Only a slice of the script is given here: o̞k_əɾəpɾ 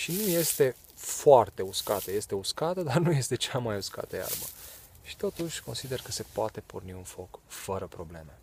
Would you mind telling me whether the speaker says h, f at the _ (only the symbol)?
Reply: f